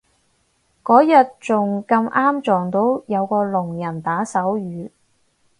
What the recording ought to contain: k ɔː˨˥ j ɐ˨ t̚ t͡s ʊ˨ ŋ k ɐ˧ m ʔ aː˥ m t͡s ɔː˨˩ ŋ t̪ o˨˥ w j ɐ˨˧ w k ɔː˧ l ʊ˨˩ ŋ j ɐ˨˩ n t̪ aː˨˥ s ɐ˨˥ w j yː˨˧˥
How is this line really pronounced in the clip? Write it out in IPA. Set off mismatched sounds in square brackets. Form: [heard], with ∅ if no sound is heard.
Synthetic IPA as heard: k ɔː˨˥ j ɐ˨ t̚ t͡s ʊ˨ ŋ k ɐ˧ m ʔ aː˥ m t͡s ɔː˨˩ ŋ t̪ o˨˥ w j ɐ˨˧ w k ɔː˧ l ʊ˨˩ ŋ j ɐ˨˩ n t̪ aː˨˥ s ɐ˨˥ w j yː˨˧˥